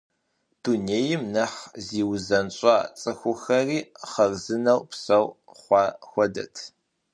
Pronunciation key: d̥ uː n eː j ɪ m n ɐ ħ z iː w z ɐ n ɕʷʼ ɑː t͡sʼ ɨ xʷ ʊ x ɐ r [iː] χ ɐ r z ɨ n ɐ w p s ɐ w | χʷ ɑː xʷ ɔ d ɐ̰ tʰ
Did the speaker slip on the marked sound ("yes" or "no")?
no